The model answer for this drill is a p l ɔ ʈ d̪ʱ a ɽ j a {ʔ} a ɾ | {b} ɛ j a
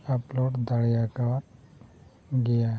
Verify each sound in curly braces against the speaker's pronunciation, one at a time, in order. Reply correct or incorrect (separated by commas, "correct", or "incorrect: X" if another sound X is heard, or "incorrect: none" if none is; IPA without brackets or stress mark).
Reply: incorrect: k, incorrect: ɡ